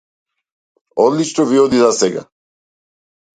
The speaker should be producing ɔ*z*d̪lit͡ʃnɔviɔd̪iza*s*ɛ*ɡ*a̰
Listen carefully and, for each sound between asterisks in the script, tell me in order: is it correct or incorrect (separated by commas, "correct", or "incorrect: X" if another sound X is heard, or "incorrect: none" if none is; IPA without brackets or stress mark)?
incorrect: none, correct, correct